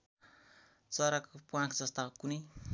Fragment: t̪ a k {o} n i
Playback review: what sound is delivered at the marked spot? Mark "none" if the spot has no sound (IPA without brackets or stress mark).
u